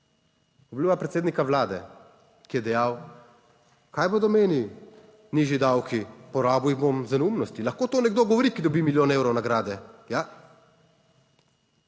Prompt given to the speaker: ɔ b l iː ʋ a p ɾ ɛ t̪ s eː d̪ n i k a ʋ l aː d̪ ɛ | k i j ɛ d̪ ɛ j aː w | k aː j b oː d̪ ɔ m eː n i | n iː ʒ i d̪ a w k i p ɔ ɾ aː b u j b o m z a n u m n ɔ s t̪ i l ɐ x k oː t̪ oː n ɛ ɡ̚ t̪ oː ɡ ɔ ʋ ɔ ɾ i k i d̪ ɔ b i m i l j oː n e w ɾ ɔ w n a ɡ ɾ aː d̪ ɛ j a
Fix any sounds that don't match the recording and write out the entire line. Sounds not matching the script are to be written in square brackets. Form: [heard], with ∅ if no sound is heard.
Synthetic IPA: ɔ b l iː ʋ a p ɾ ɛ t̪ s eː d̪ n i k a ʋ l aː d̪ ɛ | k i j ɛ d̪ ɛ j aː w | k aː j b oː d̪ ɔ m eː n i | n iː ʒ i d̪ a w k i p ɔ ɾ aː b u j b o m z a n u m n ɔ s t̪ i l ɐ x k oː t̪ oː n ɛ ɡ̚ [d̪] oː ɡ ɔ ʋ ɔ ɾ i k i d̪ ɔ b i m i l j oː n e w ɾ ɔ w n a ɡ ɾ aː d̪ ɛ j a